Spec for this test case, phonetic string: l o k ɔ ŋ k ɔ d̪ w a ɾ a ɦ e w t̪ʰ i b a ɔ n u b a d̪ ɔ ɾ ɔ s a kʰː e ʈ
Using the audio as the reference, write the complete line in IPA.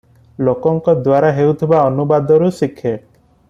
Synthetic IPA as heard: l o k ɔ ŋ k ɔ d̪ w a ɾ a ɦ e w t̪ʰ i b a ɔ n u b a d̪ ɔ ɾ u s i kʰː e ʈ